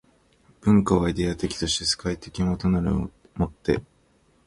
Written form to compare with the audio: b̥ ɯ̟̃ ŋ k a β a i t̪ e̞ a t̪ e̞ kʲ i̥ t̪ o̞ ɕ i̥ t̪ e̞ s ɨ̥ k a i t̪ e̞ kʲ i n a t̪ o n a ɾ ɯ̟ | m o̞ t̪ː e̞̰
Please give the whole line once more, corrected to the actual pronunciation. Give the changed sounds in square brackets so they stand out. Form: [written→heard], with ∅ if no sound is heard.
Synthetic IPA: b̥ ɯ̟̃ ŋ k a β a i [t̪→d̪] e̞ a t̪ e̞ kʲ i̥ t̪ o̞ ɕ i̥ t̪ e̞ s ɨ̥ k a i t̪ e̞ kʲ i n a t̪ o n a ɾ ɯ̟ | m o̞ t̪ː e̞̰